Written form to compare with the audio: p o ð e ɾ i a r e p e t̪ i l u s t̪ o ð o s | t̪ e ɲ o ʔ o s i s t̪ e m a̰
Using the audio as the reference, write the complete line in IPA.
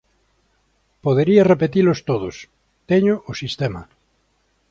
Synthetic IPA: p o ð e ɾ i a r e p e t̪ i l o s t̪ o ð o s | t̪ e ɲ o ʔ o s i s t̪ e m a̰